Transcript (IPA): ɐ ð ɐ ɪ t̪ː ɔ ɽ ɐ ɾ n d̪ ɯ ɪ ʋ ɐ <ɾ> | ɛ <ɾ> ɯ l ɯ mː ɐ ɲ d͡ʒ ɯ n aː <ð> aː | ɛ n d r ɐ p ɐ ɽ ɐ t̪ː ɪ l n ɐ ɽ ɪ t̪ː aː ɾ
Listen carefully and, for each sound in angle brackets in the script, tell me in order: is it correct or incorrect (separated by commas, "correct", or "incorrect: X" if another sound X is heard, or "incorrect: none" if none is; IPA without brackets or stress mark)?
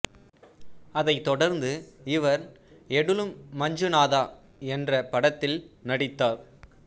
correct, incorrect: ɽ, correct